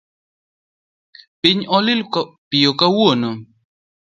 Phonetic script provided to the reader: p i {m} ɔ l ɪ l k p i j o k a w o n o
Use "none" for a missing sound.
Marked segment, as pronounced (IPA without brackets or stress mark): ɲ